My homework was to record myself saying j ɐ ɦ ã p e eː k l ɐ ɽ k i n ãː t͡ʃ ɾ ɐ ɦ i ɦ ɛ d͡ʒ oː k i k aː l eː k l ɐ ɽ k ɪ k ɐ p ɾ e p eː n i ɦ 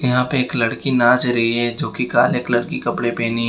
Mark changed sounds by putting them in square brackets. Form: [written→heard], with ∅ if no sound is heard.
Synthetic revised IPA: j ɐ ɦ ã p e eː k l ɐ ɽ k i n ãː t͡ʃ ɾ ɐ ɦ i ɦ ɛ d͡ʒ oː k i k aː l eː k l ɐ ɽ k [ɪ→i] k ɐ p [ɾ→ɽ] e p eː n i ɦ